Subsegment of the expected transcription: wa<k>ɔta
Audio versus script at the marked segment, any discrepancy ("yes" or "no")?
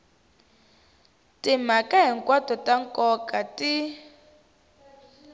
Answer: yes